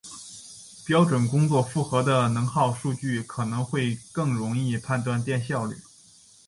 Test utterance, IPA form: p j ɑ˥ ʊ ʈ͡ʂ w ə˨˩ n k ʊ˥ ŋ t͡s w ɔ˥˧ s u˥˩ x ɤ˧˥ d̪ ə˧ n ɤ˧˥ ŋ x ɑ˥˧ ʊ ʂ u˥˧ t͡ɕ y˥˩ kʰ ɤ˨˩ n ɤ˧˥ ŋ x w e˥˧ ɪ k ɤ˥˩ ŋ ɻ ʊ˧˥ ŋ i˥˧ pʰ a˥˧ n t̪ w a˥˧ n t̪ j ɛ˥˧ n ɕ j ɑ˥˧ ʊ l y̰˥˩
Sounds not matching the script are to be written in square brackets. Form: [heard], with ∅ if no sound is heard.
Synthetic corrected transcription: p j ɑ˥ ʊ ʈ͡ʂ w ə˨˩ n k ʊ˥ ŋ t͡s w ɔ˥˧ [f] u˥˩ x ɤ˧˥ d̪ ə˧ n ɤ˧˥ ŋ x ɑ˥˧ ʊ ʂ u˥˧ t͡ɕ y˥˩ kʰ ɤ˨˩ n ɤ˧˥ ŋ x w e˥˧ ɪ k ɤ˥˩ ŋ ɻ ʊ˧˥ ŋ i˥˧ pʰ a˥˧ n t̪ w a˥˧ n t̪ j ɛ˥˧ n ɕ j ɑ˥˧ ʊ l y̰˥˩

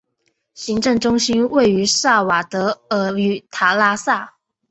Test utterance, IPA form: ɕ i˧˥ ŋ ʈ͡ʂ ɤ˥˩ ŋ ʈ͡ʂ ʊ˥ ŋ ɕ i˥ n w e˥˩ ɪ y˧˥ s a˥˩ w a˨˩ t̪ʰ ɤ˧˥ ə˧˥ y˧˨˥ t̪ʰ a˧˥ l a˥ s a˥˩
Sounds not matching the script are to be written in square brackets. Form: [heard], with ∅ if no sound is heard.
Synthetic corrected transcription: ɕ i˧˥ ŋ ʈ͡ʂ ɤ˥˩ ŋ ʈ͡ʂ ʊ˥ ŋ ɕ i˥ n w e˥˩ ɪ y˧˥ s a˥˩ w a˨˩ [t̪] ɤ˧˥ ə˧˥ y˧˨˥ t̪ʰ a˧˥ l a˥ s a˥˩

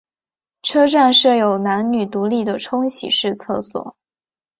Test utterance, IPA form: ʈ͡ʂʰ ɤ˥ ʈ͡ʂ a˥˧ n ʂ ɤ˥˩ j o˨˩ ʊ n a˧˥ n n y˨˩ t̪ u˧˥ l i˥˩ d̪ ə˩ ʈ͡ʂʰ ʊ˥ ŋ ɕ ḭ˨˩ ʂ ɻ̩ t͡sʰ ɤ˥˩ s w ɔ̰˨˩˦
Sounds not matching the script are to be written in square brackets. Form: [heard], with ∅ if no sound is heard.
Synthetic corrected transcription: ʈ͡ʂʰ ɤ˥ ʈ͡ʂ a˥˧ n ʂ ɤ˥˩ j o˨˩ ʊ n a˧˥ n n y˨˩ t̪ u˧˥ l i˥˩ d̪ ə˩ ʈ͡ʂʰ ʊ˥ ŋ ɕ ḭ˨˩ ʂ ɻ̩ t͡sʰ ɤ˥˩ s w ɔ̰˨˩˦

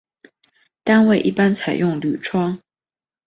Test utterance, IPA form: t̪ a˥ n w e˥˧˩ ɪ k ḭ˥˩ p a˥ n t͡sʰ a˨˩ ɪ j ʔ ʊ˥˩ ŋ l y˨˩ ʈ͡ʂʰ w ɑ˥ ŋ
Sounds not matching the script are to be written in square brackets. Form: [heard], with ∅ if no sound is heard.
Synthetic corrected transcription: t̪ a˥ n w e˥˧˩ ɪ [ʔ] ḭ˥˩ p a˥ n t͡sʰ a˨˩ ɪ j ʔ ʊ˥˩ ŋ l y˨˩ ʈ͡ʂʰ w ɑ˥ ŋ

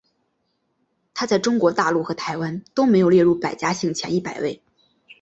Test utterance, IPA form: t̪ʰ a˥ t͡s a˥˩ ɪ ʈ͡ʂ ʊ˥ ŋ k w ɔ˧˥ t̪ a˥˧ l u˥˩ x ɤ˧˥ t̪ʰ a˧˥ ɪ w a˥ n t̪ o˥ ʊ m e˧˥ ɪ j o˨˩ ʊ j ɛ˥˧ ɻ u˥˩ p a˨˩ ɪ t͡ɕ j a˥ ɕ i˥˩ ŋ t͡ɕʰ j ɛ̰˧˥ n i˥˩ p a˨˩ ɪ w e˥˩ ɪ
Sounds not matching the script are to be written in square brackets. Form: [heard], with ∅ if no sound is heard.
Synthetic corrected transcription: t̪ʰ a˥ t͡s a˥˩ ɪ ʈ͡ʂ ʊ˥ ŋ k w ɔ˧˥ t̪ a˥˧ l u˥˩ x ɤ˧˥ t̪ʰ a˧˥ ɪ w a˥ n t̪ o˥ ʊ m e˧˥ ɪ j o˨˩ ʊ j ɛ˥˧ ɻ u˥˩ p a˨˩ ɪ t͡ɕ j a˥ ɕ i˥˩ ŋ t͡ɕʰ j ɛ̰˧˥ n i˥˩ p a˨˩ ɪ w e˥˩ ɪ

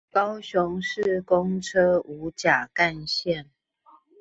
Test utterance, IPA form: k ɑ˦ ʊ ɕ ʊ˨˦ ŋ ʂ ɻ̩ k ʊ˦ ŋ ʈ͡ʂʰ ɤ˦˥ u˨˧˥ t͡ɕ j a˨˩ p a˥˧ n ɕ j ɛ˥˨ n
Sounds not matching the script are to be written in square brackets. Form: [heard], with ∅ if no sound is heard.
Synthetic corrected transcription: k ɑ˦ ʊ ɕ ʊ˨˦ ŋ ʂ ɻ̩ k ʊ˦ ŋ ʈ͡ʂʰ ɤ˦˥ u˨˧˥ t͡ɕ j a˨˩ [k] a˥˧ n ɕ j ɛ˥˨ n

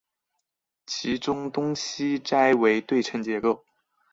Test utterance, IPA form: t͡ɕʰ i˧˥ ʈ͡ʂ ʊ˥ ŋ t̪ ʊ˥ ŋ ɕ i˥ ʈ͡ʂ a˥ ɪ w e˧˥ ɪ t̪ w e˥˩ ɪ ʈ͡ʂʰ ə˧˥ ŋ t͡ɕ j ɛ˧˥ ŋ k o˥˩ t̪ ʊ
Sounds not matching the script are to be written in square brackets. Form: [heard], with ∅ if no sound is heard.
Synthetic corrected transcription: t͡ɕʰ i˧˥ ʈ͡ʂ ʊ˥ ŋ t̪ ʊ˥ ŋ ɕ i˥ ʈ͡ʂ a˥ ɪ w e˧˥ ɪ t̪ w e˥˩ ɪ ʈ͡ʂʰ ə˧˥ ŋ t͡ɕ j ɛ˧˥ [∅] k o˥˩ [∅] ʊ

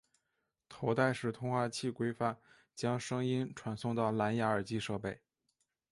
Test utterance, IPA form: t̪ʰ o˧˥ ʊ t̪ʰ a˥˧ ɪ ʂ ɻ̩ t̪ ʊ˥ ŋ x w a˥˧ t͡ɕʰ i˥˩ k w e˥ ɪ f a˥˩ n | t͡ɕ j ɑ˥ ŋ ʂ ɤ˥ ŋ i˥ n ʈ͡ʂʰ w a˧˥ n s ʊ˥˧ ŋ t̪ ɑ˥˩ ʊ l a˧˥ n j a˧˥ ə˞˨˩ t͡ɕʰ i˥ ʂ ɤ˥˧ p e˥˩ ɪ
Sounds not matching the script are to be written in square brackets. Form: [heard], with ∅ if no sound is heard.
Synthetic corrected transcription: t̪ʰ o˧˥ ʊ [t̪] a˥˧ ɪ ʂ ɻ̩ [t̪ʰ] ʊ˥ ŋ x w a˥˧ t͡ɕʰ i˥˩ k w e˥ ɪ f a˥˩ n | t͡ɕ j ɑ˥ ŋ ʂ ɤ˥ ŋ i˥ n ʈ͡ʂʰ w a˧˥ n s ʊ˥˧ ŋ t̪ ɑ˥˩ ʊ l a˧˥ n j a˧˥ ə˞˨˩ [t͡ɕ] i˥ ʂ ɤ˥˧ p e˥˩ ɪ

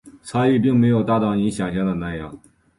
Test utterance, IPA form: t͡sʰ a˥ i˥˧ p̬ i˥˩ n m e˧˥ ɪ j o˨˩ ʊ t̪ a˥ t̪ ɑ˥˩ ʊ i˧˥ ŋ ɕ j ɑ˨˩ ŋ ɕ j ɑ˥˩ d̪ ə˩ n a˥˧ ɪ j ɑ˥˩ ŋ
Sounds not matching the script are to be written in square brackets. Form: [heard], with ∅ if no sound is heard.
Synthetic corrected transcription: t͡sʰ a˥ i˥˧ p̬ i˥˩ [ŋ] m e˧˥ ɪ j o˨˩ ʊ t̪ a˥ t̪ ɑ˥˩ ʊ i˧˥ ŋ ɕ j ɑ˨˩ ŋ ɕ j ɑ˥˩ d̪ ə˩ n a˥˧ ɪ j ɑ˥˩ ŋ

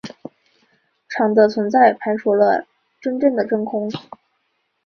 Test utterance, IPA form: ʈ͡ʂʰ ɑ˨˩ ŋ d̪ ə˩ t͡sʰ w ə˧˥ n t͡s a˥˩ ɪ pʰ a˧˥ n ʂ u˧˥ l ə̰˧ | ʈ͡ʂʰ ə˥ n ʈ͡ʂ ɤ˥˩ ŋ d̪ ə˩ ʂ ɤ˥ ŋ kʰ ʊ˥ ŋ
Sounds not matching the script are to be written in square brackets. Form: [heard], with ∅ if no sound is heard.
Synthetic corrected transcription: ʈ͡ʂʰ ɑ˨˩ ŋ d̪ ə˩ t͡sʰ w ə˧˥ n t͡s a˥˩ ɪ pʰ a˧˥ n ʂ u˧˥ l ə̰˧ | [ʈ͡ʂ] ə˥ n ʈ͡ʂ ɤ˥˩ ŋ d̪ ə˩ [ʈ͡ʂ] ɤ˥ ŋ kʰ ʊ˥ ŋ

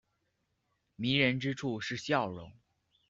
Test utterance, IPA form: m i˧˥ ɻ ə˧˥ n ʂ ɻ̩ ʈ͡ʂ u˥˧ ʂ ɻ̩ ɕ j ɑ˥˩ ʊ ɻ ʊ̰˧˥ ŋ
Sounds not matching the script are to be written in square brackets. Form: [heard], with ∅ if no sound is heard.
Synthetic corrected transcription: m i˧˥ ɻ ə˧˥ n [ʈ͡ʂ] ɻ̩ [ʈ͡ʂʰ] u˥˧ ʂ ɻ̩ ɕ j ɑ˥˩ ʊ ɻ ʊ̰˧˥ ŋ

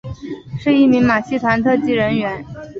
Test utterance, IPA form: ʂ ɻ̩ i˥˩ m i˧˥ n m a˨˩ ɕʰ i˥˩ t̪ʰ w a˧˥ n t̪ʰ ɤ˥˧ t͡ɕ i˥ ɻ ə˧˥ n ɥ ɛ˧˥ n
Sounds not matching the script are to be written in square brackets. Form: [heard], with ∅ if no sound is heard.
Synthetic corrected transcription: ʂ ɻ̩ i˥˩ m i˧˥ [ŋ] m a˨˩ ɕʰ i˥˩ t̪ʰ w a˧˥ n t̪ʰ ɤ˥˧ t͡ɕ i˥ ɻ ə˧˥ n ɥ ɛ˧˥ n

